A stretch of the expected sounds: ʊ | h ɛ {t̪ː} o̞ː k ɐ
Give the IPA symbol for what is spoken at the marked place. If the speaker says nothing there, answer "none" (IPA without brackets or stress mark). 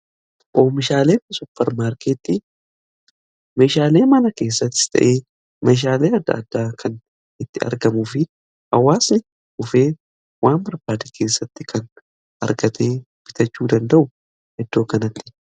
d̪ː